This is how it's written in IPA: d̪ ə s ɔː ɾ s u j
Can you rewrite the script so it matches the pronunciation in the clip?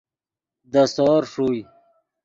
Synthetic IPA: d̪ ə s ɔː ɾ ʂ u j